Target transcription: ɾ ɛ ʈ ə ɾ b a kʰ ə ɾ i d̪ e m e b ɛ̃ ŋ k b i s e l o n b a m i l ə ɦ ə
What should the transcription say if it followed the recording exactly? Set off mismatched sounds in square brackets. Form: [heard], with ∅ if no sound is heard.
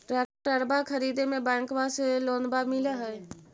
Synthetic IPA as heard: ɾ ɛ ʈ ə ɾ b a kʰ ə ɾ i d̪ e m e b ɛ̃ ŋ k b [a] s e l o n b a m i l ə ɦ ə